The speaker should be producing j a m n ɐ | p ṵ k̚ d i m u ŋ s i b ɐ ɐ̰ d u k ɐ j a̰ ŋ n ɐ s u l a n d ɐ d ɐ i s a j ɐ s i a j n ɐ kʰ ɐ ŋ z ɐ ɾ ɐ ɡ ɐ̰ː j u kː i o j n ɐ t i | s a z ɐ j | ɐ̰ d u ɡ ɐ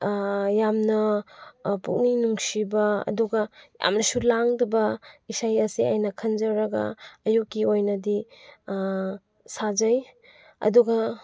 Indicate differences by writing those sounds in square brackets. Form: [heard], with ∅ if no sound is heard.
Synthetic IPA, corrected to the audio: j a m n ɐ | p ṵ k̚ [n] i [n] u ŋ s i b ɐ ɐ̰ d u [ɡ] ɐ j a̰ [m] n ɐ s u l a [ŋ] d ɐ [b] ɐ i s a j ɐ s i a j n ɐ kʰ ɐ [n] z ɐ ɾ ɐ ɡ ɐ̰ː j u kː i o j n ɐ [d] i | s a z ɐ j | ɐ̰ d u ɡ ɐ

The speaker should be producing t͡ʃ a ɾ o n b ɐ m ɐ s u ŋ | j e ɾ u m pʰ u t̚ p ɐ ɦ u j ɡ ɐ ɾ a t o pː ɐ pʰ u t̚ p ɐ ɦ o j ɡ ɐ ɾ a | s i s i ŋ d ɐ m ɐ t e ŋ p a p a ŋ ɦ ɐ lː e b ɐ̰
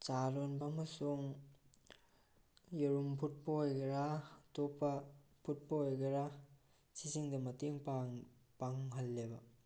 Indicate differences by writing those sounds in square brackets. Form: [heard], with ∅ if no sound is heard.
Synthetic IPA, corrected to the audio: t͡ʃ a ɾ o n b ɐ m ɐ s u ŋ | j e ɾ u m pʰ u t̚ p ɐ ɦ [o] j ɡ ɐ ɾ a t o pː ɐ pʰ u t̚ p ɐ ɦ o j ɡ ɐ ɾ a | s i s i ŋ d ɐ m ɐ t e ŋ p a p a ŋ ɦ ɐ lː e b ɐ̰

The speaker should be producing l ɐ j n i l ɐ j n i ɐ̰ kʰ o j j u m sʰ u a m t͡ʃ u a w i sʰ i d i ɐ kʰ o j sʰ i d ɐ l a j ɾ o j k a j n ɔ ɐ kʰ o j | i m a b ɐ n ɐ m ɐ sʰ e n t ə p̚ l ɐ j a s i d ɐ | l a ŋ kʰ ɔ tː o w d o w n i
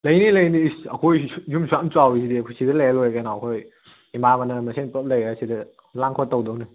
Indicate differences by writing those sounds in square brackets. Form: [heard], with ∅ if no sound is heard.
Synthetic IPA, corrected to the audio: l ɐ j n i l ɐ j n i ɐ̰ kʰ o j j u m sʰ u a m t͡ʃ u a w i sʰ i d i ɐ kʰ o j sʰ i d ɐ l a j [l] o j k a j n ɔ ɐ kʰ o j | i m a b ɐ n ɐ m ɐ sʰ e n [p] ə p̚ l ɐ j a s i d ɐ | l a ŋ kʰ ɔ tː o w d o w n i

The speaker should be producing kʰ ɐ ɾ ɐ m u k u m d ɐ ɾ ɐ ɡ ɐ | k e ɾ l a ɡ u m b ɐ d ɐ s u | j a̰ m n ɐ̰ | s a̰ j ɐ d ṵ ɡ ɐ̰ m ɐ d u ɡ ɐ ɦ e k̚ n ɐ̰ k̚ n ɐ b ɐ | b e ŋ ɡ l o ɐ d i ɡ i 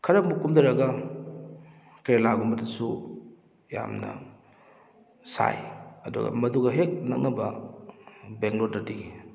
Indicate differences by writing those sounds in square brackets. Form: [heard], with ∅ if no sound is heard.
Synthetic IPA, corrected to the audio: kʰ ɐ ɾ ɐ m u k u m d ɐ ɾ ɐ ɡ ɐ | k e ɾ l a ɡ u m b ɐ d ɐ s u | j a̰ m n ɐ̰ | s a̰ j ɐ d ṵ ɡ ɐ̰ m ɐ d u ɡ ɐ ɦ e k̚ n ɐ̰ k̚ n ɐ b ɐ | b e ŋ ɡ l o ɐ d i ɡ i

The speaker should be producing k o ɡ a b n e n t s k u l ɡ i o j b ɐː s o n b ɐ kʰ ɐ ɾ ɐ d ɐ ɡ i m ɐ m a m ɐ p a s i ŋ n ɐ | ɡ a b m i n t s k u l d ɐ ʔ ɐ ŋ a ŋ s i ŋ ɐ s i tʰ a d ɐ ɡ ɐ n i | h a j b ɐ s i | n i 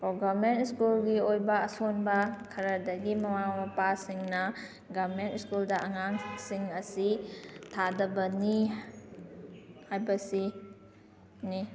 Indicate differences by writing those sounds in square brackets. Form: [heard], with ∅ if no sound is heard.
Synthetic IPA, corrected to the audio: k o ɡ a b [m] e n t s k u l ɡ i o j b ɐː s o n b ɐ kʰ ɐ ɾ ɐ d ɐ ɡ i m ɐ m a m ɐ p a s i ŋ n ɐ | ɡ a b m [e] n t s k u l d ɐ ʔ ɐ ŋ a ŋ s i ŋ ɐ s i tʰ a d ɐ [b] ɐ n i | h a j b ɐ s i | n i

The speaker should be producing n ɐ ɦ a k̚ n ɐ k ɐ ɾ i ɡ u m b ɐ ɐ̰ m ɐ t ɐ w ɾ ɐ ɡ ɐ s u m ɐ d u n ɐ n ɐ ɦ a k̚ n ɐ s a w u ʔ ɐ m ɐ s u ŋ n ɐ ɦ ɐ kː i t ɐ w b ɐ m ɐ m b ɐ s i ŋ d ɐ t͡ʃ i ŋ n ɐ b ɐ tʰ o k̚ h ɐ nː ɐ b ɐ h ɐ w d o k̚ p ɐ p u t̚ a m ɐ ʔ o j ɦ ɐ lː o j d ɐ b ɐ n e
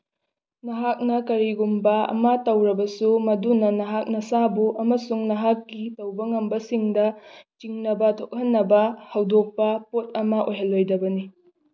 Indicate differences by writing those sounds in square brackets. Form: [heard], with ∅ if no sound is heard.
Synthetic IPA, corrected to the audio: n ɐ ɦ a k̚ n ɐ k ɐ ɾ i ɡ u m b ɐ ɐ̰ m ɐ t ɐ w ɾ ɐ [b] ɐ s u m ɐ d u n ɐ n ɐ ɦ a k̚ n ɐ s a [b] u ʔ ɐ m ɐ s u ŋ n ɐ ɦ [a] kː i t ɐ w b ɐ [ŋ] ɐ m b ɐ s i ŋ d ɐ t͡ʃ i ŋ n ɐ b ɐ tʰ o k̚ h ɐ nː ɐ b ɐ h ɐ w d o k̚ p ɐ p [o] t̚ [ɐ] m ɐ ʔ o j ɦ ɐ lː o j d ɐ b ɐ n [i]

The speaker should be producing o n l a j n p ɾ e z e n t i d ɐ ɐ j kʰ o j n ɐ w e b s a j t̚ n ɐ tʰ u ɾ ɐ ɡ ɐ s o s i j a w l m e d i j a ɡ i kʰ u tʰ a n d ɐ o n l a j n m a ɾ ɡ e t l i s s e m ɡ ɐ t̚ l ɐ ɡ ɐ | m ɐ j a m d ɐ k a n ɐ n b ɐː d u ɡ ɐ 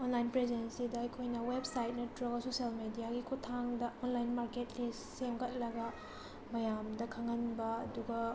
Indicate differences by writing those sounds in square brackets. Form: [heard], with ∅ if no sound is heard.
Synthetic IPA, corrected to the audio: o n l a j n p ɾ e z e n [s] i d ɐ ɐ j kʰ o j n ɐ w e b s a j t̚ n ɐ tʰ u ɾ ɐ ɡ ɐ s o s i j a [∅] l m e d i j a ɡ i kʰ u tʰ a [ŋ] d ɐ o n l a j n m a ɾ [k] e t l i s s e m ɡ ɐ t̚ l ɐ ɡ ɐ | m ɐ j a m d ɐ [kʰ] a [ŋ] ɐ n b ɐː d u ɡ ɐ

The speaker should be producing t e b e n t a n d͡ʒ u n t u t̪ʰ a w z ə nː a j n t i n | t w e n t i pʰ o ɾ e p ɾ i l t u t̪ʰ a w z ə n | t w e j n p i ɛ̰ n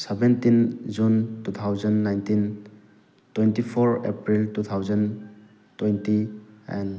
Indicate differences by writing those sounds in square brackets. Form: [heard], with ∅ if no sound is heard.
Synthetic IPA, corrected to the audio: [s] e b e n t [i] n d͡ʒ u n t u t̪ʰ a w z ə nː a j n t i n | t w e n t i pʰ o ɾ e p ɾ i l t u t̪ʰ a w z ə n | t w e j n [t] i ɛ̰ n

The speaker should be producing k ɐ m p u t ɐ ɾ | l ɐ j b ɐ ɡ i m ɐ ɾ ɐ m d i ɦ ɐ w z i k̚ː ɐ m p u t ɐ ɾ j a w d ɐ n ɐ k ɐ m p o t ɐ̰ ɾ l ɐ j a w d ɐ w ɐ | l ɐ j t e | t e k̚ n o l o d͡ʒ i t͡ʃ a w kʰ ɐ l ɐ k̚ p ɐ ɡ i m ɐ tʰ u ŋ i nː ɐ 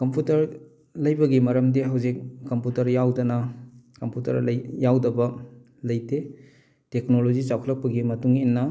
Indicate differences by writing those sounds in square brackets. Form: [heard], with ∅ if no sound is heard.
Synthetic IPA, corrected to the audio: k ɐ m p u t ɐ ɾ | l ɐ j b ɐ ɡ i m ɐ ɾ ɐ m d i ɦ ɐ w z i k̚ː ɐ m p u t ɐ ɾ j a w d ɐ n ɐ k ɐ m p [u] t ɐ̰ ɾ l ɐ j a w d ɐ [b] ɐ | l ɐ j t e | t e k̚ n o l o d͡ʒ i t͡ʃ a w kʰ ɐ l ɐ k̚ p ɐ ɡ i m ɐ [t] u ŋ i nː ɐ

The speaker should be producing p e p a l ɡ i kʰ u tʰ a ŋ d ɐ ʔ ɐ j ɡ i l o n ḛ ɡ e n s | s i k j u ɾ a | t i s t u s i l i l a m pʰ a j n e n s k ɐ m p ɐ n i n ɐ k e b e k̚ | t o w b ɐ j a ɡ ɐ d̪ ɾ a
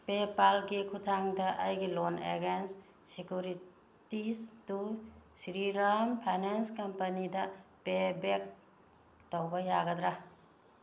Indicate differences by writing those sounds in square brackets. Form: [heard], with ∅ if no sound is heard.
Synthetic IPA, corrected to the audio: p e p a l ɡ i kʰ u tʰ a ŋ d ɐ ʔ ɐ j ɡ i l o n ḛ ɡ e n s | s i k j u ɾ [i] | t i s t u s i [ɾ] i [ɾ] a m pʰ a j n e n s k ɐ m p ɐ n i [d] ɐ [p] e b e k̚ | t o w b ɐ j a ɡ ɐ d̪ ɾ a

